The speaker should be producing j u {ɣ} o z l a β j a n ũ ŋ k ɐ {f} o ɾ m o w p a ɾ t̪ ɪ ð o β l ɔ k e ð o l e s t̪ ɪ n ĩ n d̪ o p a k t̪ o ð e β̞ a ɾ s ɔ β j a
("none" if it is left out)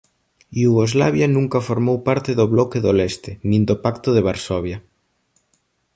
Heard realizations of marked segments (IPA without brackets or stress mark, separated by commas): ɣ, f